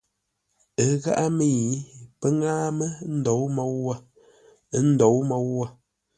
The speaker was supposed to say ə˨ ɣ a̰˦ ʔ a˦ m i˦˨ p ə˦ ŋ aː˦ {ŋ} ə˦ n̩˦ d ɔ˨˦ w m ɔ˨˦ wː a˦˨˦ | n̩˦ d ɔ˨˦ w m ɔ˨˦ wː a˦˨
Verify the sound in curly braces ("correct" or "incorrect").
incorrect